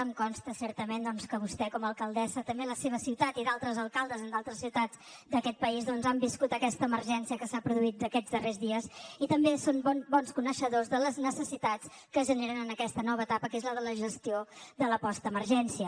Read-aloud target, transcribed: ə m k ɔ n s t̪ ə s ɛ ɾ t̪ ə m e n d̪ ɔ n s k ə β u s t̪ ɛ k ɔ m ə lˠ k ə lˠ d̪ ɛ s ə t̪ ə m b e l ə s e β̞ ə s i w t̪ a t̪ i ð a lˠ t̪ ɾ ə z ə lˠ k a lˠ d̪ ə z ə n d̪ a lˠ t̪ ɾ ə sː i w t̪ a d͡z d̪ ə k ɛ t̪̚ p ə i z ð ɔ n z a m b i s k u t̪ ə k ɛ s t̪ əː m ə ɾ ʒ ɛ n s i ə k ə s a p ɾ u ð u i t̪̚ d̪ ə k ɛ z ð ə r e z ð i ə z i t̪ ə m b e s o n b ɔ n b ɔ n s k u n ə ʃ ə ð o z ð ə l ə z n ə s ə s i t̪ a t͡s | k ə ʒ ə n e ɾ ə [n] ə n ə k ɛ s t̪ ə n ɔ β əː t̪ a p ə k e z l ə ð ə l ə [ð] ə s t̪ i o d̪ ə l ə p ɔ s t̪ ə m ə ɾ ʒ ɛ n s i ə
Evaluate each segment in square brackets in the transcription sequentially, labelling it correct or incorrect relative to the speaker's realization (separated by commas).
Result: correct, incorrect